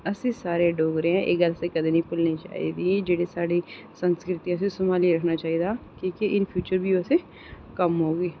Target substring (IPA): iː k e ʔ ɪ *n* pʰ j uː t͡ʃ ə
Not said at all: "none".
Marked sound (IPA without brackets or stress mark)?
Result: n